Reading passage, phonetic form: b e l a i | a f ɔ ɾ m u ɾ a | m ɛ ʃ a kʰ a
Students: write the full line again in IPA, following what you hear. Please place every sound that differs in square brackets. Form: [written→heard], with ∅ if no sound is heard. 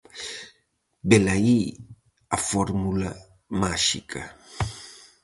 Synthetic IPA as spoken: b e l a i | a f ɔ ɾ m u [ɾ→l] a | m [ɛ→a] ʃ [a→i] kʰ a